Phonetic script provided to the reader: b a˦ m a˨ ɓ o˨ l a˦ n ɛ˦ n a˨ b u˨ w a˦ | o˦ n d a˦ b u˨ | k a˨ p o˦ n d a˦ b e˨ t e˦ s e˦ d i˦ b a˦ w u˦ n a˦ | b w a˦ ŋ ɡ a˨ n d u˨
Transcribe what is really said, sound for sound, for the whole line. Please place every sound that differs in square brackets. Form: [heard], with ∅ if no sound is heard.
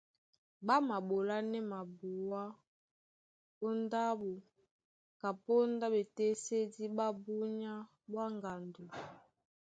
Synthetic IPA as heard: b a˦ m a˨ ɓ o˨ l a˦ n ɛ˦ [m] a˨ b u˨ w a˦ | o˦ n d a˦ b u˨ | k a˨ p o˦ n d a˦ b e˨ t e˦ s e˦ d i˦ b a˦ [b] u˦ [ɲ] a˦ | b w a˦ ŋ ɡ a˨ n d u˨